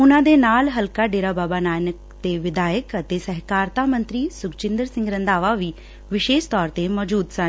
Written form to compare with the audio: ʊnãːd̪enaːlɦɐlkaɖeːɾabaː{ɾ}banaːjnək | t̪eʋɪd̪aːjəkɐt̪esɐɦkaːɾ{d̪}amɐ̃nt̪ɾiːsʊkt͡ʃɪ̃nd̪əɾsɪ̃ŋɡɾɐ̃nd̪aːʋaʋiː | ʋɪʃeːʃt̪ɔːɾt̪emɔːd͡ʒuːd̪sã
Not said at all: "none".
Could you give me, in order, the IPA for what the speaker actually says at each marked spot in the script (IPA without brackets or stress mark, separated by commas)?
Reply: none, t̪